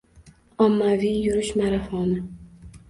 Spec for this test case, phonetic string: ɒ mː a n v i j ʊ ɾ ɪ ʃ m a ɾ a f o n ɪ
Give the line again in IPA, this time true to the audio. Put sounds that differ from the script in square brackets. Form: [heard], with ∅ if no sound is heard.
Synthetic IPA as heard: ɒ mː a [∅] v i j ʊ ɾ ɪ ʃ m a ɾ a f [ɒ] n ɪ